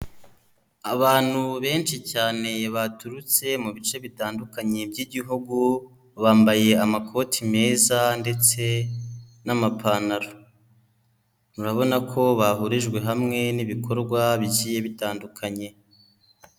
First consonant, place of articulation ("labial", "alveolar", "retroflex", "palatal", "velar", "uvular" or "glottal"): labial